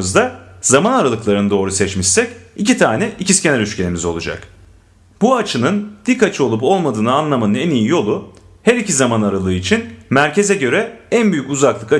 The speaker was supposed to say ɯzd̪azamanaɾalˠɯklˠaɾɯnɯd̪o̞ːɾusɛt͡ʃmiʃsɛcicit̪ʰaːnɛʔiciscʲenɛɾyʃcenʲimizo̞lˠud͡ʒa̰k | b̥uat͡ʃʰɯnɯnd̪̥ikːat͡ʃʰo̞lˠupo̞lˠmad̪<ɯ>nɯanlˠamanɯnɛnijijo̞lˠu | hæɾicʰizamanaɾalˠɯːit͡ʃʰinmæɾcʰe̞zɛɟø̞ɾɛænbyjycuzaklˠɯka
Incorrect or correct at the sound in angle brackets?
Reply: incorrect: ɯː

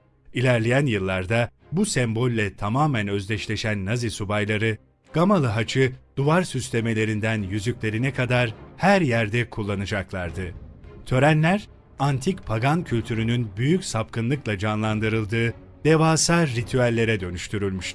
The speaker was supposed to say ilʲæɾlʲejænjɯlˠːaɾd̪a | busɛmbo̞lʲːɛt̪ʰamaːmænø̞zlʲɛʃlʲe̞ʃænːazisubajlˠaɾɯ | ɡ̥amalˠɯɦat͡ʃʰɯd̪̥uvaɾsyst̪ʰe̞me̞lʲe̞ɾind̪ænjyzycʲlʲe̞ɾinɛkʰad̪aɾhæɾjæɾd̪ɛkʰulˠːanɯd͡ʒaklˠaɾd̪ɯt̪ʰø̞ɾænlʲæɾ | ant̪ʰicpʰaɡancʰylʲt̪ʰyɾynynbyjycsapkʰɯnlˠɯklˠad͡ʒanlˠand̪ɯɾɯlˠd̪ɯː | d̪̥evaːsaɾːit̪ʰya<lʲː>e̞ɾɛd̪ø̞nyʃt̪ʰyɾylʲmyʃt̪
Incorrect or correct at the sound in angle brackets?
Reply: correct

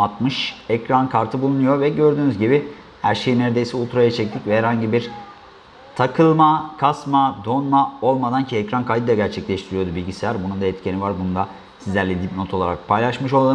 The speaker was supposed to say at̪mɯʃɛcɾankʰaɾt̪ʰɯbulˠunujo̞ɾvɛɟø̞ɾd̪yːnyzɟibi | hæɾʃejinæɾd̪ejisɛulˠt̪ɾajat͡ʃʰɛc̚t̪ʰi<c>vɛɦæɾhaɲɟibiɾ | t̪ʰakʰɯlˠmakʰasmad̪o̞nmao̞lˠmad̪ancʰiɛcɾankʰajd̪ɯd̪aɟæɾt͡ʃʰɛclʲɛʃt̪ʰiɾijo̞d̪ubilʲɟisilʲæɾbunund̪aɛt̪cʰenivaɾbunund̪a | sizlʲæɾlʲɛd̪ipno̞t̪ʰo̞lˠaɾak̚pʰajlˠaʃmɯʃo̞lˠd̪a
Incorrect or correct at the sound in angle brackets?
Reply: correct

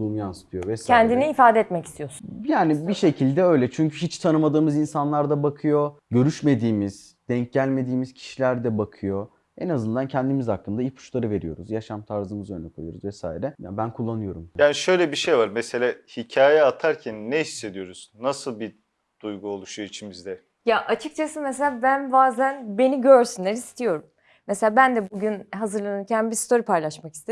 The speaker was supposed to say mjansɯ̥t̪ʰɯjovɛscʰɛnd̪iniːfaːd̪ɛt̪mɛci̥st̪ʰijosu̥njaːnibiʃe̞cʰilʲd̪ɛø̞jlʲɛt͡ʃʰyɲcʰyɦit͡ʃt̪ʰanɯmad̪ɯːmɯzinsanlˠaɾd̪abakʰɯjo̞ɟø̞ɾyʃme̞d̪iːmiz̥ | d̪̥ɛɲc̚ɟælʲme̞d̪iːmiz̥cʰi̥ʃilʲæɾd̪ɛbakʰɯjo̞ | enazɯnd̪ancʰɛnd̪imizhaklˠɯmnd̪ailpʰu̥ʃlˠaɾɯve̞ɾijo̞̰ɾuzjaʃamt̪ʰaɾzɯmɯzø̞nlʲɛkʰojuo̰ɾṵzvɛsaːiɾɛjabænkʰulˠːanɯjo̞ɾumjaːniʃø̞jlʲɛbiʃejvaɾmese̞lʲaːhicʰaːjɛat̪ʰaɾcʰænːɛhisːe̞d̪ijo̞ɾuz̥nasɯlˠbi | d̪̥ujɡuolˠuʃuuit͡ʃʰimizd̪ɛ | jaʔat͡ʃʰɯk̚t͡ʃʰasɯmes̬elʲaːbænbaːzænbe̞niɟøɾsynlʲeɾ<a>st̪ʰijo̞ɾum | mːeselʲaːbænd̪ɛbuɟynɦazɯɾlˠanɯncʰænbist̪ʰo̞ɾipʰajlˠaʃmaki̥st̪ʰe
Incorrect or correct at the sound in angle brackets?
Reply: incorrect: i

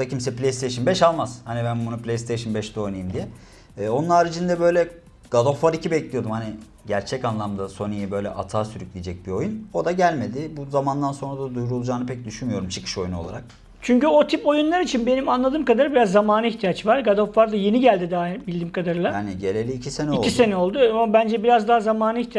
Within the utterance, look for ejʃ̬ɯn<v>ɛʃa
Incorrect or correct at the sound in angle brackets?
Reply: incorrect: b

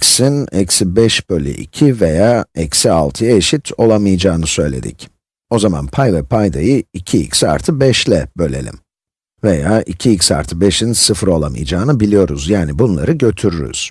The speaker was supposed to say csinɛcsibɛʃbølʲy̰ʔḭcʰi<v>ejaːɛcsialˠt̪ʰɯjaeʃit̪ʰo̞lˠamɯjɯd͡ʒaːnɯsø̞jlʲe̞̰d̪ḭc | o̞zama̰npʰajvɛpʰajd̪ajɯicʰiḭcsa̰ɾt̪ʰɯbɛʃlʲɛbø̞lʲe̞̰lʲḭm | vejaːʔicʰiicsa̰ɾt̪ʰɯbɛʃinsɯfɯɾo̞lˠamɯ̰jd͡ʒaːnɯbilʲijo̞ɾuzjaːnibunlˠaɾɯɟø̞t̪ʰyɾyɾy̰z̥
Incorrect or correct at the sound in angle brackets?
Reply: correct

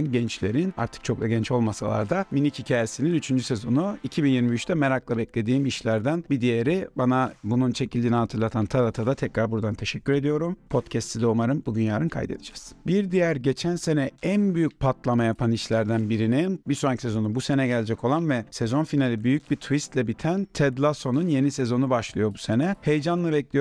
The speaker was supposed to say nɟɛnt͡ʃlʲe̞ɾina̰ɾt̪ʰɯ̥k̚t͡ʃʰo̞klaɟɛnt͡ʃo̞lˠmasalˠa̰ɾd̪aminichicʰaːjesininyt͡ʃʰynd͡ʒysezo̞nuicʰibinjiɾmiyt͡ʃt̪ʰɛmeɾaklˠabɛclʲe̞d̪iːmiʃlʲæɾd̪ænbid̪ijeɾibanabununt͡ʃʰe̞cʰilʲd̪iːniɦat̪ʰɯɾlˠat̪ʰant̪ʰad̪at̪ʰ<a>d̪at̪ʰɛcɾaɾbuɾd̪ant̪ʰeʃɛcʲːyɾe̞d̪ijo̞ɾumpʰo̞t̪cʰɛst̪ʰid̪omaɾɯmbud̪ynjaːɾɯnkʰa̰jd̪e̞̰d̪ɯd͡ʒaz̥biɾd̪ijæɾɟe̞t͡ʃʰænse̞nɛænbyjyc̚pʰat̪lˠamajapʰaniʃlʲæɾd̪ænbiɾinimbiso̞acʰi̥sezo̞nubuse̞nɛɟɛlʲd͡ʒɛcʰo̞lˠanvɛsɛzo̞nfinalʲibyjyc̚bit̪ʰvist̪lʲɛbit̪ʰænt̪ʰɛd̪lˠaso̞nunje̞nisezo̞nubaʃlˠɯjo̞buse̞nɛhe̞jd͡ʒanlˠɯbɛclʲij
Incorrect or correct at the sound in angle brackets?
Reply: correct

